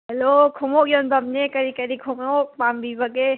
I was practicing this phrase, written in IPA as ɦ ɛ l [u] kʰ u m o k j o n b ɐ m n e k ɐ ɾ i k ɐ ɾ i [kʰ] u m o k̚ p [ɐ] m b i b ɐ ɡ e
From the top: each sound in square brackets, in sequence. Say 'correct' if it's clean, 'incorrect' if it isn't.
incorrect, correct, incorrect

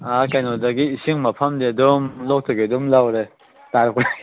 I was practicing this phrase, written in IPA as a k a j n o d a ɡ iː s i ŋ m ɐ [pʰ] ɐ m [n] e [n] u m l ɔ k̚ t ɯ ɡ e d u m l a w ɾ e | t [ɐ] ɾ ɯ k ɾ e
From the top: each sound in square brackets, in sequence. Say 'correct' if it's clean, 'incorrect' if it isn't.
correct, incorrect, incorrect, incorrect

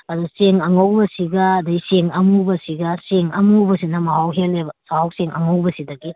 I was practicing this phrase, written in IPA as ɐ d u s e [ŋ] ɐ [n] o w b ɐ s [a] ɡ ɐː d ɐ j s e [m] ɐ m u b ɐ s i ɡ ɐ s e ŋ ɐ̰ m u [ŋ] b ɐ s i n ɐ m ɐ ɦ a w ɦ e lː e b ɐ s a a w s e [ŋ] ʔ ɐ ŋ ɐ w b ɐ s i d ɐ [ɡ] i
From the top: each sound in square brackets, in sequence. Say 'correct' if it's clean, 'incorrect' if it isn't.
correct, incorrect, incorrect, incorrect, incorrect, correct, correct

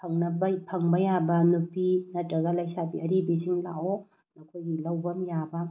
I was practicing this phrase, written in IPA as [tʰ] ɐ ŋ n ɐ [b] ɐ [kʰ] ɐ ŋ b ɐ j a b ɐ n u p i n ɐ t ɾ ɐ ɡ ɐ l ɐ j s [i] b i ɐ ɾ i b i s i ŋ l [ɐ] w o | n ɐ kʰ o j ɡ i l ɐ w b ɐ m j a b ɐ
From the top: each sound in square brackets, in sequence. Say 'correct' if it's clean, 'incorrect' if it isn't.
incorrect, correct, incorrect, incorrect, incorrect

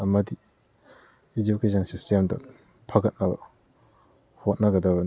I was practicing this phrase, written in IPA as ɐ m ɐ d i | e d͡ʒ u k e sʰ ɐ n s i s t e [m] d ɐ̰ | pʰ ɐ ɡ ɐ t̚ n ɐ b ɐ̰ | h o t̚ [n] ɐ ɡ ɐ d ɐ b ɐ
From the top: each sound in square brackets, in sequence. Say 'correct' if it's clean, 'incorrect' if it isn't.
correct, correct

